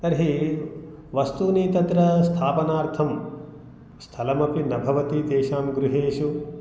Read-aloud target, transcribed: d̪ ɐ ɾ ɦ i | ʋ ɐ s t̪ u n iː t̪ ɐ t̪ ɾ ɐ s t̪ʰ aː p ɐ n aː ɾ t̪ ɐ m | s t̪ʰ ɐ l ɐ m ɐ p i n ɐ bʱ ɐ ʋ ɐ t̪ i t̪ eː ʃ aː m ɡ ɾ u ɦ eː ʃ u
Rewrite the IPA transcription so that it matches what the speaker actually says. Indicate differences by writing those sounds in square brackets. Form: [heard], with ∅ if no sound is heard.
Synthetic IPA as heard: [t̪] ɐ ɾ ɦ i | ʋ ɐ s t̪ u n iː t̪ ɐ t̪ ɾ ɐ s t̪ʰ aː p ɐ n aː ɾ [t̪ʰ] ɐ m | s t̪ʰ ɐ l ɐ m ɐ p i n ɐ bʱ ɐ ʋ ɐ t̪ i t̪ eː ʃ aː m ɡ ɾ u ɦ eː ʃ u